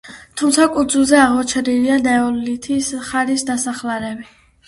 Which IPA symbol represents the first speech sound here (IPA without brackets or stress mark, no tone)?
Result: t̪ʰ